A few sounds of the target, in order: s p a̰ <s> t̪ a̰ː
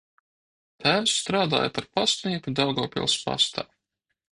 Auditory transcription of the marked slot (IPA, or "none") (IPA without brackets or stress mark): s